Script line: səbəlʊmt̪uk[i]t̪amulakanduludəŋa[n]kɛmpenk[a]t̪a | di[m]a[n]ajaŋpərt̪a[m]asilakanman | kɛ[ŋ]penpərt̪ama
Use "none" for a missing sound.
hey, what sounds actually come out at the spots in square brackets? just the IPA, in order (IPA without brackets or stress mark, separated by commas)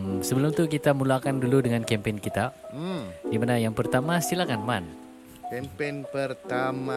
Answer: i, n, i, m, n, m, m